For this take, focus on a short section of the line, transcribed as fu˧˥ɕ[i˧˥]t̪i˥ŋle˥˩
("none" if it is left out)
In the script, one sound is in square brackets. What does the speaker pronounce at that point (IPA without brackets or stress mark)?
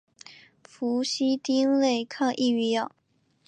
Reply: i˥